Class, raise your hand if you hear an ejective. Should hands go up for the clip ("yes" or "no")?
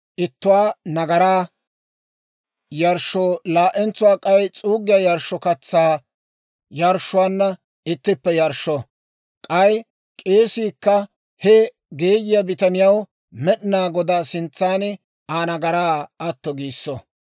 yes